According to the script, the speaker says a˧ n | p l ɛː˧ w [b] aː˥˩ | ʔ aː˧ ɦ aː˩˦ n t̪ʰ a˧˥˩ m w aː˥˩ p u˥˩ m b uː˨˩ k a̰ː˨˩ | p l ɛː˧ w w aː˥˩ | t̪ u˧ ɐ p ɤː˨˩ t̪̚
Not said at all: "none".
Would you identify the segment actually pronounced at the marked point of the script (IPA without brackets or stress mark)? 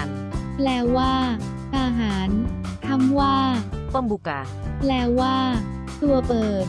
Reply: w